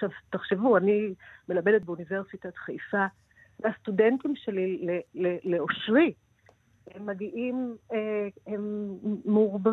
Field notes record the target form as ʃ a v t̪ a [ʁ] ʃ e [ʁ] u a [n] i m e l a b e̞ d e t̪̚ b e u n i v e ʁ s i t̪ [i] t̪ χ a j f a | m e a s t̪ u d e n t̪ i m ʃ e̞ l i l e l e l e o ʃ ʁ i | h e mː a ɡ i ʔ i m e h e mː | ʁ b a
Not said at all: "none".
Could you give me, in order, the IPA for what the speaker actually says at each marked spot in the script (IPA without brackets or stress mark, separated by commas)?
χ, v, n, a